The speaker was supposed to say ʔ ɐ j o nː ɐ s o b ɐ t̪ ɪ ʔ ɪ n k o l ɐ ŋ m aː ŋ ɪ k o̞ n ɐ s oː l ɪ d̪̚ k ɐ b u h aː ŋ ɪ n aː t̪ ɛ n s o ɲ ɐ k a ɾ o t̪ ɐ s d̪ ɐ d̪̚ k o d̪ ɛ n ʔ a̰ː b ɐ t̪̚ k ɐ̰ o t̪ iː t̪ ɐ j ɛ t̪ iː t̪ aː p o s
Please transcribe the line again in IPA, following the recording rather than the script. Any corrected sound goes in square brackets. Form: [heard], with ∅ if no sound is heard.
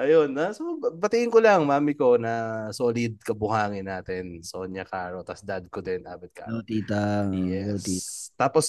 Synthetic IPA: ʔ ɐ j o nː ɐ s o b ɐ t̪ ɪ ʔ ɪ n k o l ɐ ŋ m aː [m] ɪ k o̞ n ɐ s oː l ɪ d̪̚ k ɐ b [ʊ] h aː ŋ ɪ n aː t̪ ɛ n s o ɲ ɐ k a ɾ o t̪ ɐ s d̪ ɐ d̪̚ k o d̪ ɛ n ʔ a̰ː b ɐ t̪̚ k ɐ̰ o t̪ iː t̪ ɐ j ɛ t̪ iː t̪ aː p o s